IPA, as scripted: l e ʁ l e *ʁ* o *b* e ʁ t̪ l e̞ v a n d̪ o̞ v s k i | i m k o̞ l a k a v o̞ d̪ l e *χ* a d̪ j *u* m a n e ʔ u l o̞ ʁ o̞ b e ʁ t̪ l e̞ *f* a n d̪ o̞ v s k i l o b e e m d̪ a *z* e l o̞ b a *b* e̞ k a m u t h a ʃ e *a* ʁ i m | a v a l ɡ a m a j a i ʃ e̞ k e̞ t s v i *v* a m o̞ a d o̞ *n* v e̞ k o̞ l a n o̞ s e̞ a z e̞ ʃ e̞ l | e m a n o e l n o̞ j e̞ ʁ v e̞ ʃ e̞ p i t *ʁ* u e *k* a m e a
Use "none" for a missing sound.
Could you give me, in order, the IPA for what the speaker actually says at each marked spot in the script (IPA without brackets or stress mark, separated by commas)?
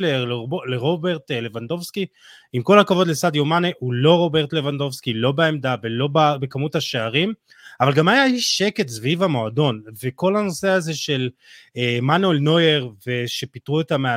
ʁ, b, s, o, v, v, b, a, v, n, ʁ, t